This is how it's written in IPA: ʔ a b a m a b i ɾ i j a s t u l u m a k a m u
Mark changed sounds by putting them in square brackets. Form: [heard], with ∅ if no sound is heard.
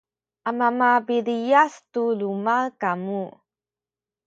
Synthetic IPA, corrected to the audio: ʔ a [m] a m a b i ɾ i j a s t u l u m a k a m u